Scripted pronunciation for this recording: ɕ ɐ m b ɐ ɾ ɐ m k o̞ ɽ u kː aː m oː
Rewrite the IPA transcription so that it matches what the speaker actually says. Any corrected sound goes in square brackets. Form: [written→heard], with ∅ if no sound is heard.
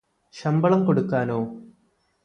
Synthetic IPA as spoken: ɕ ɐ m b ɐ [ɾ→ɭ] ɐ m k o̞ ɽ u kː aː [m→n] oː